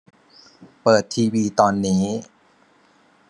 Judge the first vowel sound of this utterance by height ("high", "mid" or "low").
mid